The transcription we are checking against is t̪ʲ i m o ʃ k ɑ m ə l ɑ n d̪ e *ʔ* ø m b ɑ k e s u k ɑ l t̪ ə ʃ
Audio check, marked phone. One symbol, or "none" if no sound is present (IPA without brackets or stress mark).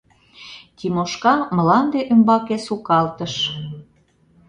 ʔ